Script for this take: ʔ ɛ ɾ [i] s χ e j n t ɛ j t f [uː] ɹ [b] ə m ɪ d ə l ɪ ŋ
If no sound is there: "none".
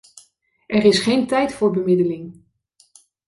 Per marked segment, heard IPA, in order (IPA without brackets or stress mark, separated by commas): ɪ, ʊː, b